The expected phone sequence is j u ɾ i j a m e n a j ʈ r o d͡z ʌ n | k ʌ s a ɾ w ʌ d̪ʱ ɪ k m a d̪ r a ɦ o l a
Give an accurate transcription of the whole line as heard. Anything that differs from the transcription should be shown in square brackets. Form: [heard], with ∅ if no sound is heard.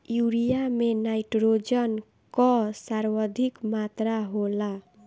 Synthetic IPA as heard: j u ɾ i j a m e n a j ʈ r o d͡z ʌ n | k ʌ s a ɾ w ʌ d̪ʱ [i] k m a [t̪] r a ɦ o l a